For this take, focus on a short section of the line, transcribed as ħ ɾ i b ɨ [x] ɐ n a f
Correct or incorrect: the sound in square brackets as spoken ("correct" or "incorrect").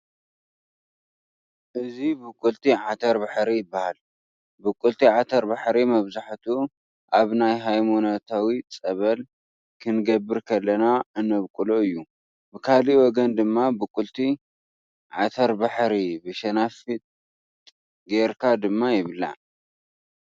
incorrect